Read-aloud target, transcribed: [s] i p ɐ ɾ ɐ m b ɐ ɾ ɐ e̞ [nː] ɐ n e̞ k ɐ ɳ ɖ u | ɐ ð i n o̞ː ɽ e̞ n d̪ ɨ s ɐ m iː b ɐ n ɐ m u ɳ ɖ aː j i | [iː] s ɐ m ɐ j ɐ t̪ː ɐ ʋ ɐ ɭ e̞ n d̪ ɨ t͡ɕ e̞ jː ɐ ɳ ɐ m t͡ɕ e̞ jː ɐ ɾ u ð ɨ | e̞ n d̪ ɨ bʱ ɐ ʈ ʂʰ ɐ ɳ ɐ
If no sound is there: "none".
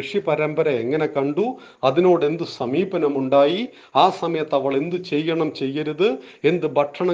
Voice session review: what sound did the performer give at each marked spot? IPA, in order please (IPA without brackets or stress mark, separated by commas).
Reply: ʂ, ŋː, aː